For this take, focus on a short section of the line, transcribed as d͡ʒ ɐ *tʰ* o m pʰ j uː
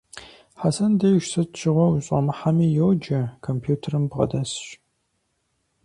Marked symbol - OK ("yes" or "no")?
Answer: no